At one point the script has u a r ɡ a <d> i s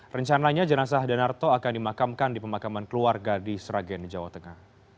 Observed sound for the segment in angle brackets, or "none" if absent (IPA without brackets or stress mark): d